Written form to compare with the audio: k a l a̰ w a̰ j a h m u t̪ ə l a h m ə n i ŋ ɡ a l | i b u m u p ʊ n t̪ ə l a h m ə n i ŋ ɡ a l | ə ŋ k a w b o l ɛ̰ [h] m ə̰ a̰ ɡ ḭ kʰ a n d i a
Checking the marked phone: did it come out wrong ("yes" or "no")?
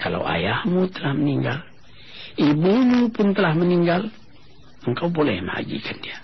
no